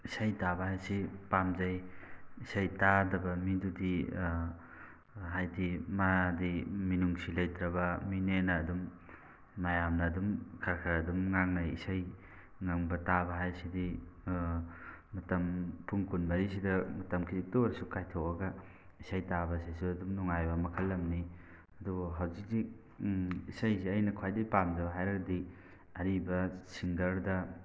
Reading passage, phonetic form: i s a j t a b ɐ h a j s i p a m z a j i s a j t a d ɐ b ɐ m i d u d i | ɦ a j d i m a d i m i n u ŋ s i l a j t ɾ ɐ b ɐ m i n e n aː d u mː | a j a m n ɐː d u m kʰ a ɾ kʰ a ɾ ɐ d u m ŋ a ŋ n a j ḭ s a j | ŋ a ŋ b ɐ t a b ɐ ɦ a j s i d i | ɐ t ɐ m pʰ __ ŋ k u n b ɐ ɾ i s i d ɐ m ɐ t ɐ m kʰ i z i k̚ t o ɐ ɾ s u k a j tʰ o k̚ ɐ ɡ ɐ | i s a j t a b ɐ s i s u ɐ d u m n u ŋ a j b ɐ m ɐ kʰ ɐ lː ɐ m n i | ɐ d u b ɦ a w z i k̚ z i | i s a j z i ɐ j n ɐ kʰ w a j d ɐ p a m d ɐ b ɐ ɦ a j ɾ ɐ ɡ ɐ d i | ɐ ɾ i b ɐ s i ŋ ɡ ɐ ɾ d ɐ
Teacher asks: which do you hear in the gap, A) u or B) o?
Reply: A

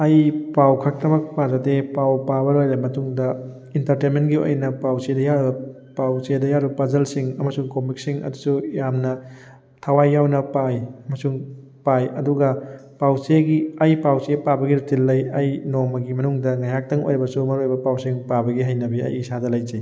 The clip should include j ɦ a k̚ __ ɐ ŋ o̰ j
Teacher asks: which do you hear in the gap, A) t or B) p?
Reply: A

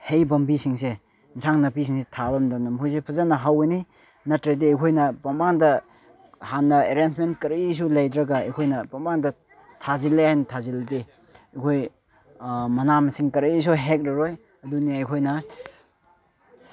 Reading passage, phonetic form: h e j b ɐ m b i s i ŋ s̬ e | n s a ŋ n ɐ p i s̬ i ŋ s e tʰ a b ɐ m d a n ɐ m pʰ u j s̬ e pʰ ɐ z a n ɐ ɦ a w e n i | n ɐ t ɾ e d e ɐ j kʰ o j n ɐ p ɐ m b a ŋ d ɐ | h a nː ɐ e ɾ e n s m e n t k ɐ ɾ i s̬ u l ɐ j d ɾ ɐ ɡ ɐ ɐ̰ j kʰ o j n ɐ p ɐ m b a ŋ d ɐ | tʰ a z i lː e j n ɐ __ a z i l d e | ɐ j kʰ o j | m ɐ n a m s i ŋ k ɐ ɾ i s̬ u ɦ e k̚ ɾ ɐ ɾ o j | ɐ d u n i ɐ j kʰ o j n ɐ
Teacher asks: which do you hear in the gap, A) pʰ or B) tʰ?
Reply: B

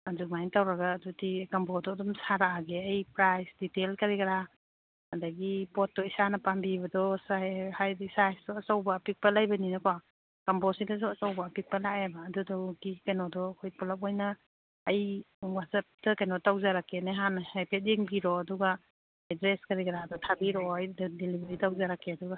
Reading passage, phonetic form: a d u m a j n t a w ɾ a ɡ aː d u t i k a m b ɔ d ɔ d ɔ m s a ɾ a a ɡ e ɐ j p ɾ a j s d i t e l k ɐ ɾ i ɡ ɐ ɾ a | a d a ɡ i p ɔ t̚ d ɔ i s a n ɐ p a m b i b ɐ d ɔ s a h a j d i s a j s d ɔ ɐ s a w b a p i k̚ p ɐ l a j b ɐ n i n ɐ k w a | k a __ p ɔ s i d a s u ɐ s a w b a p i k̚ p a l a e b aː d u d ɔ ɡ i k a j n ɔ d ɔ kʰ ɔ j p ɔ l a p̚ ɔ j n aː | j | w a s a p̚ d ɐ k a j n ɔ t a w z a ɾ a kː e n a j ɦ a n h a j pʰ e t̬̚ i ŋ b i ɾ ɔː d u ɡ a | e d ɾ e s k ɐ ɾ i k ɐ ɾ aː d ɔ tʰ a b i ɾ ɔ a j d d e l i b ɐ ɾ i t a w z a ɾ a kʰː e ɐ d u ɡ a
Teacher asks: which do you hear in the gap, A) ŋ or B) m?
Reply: B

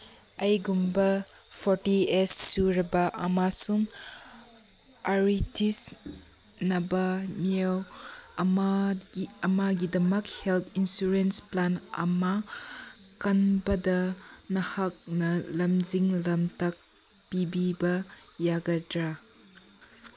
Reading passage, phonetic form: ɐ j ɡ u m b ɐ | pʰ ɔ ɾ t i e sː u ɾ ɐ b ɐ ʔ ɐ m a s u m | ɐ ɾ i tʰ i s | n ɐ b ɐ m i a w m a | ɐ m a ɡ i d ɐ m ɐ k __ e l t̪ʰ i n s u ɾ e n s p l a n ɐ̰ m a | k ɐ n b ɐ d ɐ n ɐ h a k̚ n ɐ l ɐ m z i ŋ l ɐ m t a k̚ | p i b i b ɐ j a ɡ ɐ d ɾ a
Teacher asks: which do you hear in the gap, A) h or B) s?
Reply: A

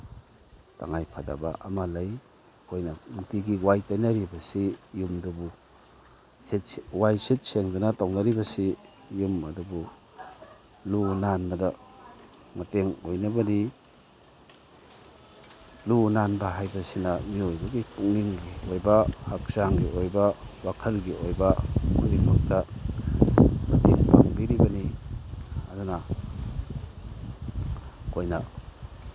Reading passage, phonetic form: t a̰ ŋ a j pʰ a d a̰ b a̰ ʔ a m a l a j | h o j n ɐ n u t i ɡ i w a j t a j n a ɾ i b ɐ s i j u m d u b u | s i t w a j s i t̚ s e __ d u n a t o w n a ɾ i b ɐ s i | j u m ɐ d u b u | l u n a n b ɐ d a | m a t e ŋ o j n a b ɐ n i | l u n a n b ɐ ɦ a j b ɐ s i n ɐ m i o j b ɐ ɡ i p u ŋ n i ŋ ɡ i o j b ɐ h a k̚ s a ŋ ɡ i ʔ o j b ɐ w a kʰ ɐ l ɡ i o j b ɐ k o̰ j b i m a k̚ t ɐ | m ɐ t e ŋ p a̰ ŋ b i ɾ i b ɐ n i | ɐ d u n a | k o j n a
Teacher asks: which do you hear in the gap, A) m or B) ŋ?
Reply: B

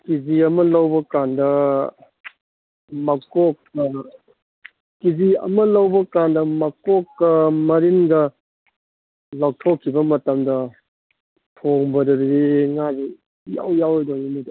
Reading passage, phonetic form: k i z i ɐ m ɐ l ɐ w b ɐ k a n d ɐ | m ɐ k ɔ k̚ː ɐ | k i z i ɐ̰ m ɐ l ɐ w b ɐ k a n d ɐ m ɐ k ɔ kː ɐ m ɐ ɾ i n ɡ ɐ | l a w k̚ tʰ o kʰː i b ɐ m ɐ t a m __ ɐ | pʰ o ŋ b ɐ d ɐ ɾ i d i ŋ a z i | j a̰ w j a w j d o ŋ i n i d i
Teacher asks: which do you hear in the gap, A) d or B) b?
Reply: A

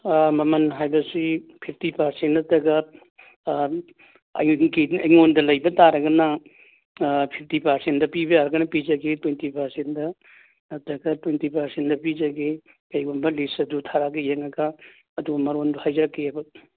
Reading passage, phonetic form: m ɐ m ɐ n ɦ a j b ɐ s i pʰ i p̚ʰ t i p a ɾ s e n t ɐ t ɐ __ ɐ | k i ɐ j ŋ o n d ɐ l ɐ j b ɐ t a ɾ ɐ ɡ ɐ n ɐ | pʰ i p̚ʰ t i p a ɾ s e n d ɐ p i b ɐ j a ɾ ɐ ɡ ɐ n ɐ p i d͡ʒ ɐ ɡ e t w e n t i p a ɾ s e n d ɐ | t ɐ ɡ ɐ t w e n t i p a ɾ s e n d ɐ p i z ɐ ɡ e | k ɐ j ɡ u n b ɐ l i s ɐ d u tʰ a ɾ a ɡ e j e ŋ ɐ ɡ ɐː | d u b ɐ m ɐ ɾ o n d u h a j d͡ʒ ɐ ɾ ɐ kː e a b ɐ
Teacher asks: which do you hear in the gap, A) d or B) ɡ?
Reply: B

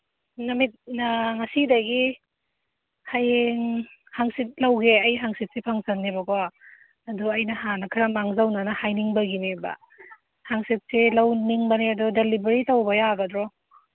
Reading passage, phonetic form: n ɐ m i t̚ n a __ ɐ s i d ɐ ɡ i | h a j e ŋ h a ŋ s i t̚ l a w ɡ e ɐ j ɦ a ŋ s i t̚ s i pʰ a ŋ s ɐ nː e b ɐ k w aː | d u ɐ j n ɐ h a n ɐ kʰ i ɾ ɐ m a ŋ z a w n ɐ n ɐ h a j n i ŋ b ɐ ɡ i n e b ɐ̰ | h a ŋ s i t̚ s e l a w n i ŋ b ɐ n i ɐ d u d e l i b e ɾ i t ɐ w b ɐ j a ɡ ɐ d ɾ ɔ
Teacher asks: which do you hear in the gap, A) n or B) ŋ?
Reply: B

